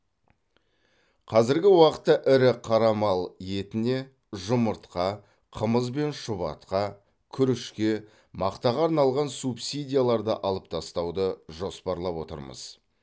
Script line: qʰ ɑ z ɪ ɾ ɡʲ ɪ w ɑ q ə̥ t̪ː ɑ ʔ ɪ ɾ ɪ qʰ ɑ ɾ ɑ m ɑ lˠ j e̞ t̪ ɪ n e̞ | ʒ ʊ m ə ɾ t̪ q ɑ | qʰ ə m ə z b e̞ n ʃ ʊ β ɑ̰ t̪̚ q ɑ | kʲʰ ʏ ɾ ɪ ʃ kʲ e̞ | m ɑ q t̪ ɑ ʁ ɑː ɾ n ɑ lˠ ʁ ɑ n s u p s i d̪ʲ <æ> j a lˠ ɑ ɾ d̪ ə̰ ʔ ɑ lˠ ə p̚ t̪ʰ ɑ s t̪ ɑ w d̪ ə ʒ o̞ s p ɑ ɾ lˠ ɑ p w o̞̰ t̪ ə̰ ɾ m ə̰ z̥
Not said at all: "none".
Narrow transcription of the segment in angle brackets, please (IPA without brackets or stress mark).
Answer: i